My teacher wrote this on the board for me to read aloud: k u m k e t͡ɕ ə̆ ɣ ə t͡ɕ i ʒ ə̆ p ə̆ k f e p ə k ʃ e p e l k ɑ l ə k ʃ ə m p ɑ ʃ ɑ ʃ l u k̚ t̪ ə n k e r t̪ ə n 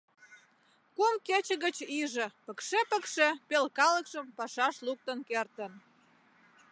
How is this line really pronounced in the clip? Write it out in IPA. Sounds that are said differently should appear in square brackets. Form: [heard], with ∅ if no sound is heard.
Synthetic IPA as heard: k u m k e t͡ɕ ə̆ ɣ ə t͡ɕ i ʒ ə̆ p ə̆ k [ʃ] e p ə k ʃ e p e l k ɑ l ə k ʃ ə m p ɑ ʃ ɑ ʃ l u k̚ t̪ ə n k e r t̪ ə n